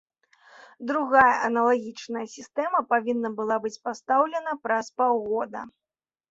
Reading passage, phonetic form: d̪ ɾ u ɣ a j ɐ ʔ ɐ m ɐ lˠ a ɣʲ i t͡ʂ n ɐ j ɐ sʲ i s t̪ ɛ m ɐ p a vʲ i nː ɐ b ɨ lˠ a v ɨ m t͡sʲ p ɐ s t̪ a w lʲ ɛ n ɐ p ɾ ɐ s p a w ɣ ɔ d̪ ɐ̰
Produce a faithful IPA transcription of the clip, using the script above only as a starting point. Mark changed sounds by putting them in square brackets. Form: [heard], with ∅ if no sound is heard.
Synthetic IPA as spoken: d̪ ɾ u ɣ a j ɐ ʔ ɐ [n] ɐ lˠ a ɣʲ i t͡ʂ n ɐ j ɐ sʲ i s t̪ ɛ m ɐ p a vʲ i nː ɐ b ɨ lˠ a [b] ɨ [∅] t͡sʲ p [a] s t̪ a w lʲ ɛ n ɐ p ɾ ɐ s p a w ɣ ɔ d̪ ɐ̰